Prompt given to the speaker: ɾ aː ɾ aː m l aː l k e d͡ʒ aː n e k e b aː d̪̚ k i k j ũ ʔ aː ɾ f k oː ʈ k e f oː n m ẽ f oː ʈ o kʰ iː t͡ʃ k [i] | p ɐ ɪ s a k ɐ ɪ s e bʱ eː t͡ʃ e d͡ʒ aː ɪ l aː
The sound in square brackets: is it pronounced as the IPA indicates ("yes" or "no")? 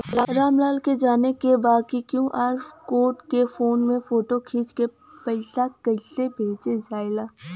no